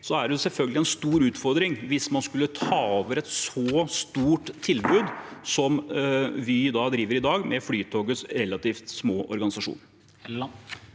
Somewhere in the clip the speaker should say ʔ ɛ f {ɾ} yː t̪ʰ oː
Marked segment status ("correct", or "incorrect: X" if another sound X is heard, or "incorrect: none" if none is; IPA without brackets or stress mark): incorrect: l